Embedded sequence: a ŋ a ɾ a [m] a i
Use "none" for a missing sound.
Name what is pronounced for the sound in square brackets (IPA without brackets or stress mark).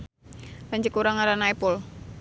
n